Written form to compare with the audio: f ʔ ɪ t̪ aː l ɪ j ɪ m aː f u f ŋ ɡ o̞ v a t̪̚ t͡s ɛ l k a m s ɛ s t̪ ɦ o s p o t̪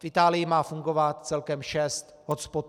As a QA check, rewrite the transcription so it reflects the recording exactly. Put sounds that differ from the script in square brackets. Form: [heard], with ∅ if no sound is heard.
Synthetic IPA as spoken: f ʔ ɪ t̪ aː l ɪ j ɪ m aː f u [∅] ŋ ɡ o̞ v a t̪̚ t͡s ɛ l k [ɛ] m [ʃ] ɛ s t̪ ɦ o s p o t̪